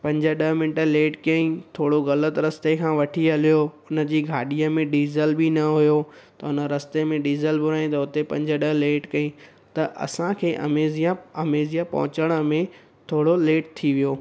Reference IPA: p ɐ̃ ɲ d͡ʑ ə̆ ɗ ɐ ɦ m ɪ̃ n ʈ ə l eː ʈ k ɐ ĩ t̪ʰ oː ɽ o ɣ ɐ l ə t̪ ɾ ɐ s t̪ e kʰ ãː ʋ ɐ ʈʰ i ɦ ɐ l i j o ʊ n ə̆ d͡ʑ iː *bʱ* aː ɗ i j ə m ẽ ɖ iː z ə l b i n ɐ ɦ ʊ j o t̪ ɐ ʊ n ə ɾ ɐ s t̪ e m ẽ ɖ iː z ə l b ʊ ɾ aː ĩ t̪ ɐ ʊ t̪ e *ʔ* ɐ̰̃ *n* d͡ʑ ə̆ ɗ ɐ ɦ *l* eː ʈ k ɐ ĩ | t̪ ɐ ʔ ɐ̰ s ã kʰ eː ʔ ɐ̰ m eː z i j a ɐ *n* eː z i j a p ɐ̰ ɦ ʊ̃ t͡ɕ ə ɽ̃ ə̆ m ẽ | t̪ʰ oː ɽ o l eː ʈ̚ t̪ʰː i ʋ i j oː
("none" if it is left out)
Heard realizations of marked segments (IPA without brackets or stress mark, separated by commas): ɡʱ, p, ɲ, l, m